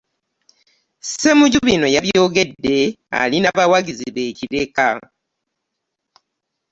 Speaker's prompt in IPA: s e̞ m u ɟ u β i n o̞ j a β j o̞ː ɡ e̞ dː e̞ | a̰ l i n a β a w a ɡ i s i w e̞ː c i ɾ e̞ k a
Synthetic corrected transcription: s e̞ m u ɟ u β i n o̞ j a β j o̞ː ɡ e̞ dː e̞ | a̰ l i n a β a w a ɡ i z i β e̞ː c i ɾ e̞ k a